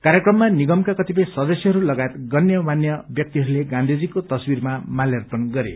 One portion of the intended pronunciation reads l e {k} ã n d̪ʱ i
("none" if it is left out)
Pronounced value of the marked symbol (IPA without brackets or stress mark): ɡ